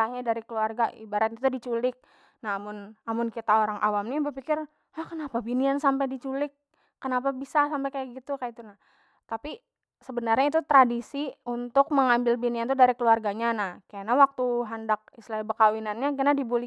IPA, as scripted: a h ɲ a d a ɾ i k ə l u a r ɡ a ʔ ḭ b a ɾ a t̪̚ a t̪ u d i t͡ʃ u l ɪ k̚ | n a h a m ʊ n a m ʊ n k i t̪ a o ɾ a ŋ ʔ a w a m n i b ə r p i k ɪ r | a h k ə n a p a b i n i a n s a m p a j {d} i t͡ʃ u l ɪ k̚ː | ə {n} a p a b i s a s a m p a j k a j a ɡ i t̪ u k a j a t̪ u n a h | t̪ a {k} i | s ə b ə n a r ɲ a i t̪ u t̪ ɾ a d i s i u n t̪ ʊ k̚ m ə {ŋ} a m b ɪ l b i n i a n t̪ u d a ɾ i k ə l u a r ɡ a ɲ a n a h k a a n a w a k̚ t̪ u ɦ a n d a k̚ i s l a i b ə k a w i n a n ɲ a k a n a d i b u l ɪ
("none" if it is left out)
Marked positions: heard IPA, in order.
d, n, p, ŋ

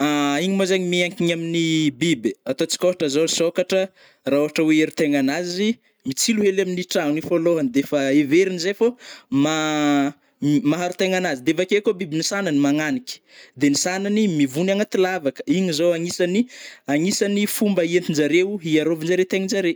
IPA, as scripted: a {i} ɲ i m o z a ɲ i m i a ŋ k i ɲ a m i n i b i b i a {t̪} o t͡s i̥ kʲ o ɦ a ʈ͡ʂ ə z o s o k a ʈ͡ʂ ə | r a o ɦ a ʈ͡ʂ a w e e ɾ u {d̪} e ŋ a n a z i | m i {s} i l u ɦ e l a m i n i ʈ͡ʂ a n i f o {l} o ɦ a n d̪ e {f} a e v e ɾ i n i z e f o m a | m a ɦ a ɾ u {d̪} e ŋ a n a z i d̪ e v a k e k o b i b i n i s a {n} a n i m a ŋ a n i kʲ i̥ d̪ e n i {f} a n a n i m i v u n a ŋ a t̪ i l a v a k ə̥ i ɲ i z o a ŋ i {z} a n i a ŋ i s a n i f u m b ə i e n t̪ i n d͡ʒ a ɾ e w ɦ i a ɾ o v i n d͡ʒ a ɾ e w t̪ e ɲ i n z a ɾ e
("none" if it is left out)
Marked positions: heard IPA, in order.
i, t̪, t̪, t͡s, l, f, t̪, n, s, s

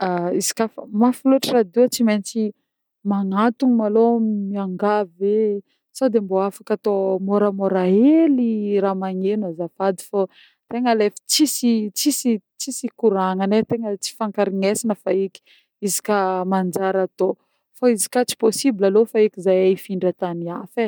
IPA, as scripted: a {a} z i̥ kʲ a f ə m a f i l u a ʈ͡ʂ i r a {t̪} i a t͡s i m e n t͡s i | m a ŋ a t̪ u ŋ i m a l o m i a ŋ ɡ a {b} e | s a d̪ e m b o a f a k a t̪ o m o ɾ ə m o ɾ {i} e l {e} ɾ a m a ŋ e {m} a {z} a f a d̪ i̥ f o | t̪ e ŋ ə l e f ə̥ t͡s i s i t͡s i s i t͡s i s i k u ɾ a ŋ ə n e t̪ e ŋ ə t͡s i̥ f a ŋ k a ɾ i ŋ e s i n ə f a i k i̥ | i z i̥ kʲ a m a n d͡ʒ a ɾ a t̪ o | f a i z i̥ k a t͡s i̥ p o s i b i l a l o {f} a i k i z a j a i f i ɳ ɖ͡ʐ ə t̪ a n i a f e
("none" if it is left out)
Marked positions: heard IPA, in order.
i, d̪, v, a, i, n, z, f

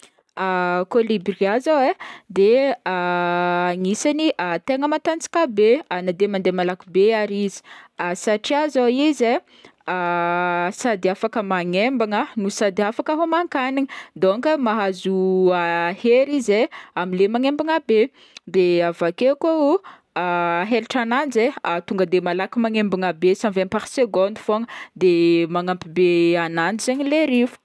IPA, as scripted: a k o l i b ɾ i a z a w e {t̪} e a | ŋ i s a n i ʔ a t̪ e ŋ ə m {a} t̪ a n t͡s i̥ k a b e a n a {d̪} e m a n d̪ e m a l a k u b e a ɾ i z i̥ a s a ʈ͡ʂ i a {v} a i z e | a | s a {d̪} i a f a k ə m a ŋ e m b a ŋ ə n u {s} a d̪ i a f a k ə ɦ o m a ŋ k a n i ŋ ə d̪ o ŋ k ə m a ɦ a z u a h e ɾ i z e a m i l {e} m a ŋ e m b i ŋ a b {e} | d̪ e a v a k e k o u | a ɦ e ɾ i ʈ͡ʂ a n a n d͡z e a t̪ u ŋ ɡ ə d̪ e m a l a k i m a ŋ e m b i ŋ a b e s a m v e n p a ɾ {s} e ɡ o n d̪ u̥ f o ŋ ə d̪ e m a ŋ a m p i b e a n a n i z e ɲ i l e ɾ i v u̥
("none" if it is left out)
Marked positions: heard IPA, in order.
d̪, a, d̪, z, d̪, s, e, e, s

